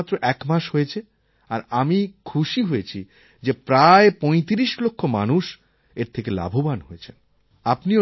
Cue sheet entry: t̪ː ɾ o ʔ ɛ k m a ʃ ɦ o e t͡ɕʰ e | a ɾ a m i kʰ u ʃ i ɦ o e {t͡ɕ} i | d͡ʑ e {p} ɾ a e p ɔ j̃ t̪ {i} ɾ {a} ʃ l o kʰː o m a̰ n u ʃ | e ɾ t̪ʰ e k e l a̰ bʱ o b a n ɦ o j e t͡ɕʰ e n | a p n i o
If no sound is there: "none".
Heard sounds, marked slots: t͡ɕʰ, p, i, i

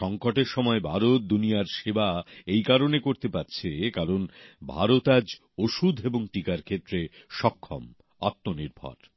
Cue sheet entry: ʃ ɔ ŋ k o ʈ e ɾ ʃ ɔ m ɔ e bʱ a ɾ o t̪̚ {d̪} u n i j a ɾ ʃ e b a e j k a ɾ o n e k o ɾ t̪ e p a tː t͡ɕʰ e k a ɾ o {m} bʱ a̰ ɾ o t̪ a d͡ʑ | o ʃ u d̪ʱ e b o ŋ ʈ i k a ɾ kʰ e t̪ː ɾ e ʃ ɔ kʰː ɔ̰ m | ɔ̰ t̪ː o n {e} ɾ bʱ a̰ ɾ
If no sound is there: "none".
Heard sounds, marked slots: d̪, n, i

